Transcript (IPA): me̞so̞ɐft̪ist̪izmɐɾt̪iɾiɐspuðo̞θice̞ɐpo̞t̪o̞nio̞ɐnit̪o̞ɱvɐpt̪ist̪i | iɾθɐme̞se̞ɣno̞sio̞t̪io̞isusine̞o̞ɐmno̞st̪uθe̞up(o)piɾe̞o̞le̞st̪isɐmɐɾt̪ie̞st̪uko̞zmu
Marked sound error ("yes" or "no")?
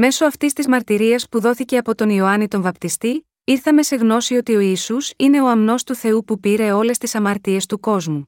yes